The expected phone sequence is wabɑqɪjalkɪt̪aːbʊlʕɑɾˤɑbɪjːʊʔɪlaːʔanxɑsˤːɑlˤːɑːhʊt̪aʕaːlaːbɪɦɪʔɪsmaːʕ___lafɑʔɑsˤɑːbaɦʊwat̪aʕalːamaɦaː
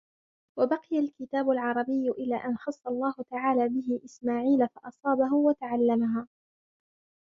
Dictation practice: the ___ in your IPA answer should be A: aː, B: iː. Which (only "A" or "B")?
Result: B